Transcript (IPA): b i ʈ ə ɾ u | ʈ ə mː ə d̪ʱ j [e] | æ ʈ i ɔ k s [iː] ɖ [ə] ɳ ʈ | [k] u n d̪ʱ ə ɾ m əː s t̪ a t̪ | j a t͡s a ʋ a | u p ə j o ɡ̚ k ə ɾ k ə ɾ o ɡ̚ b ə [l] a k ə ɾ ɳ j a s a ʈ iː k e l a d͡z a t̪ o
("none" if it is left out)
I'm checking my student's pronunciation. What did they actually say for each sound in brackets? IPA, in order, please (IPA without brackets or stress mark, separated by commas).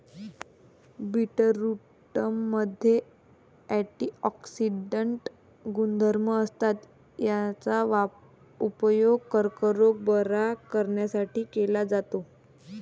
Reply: e, i, ə, ɡ, ɾ